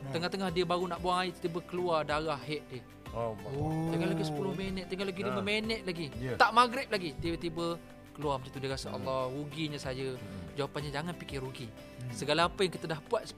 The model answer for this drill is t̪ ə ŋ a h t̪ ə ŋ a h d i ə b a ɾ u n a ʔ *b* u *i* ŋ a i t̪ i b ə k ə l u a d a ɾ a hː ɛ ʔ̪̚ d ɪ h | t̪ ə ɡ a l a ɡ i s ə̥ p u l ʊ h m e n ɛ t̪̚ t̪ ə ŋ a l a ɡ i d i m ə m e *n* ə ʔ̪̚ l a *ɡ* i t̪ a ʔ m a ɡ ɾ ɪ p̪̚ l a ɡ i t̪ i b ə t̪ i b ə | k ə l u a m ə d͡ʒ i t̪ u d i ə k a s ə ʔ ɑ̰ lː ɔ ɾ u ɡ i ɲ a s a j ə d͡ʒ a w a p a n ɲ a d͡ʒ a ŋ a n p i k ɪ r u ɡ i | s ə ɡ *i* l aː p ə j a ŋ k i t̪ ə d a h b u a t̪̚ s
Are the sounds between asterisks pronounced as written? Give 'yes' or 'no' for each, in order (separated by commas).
yes, no, yes, yes, no